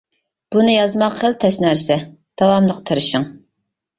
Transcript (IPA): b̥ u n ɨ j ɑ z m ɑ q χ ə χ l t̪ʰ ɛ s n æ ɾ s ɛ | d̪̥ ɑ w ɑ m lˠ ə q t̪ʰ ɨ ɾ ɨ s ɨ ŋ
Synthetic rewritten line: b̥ u n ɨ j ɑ z m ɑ q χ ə l t̪ʰ ɛ s n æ ɾ s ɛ | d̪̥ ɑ w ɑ m lˠ ə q t̪ʰ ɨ ɾ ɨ ʃ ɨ ŋ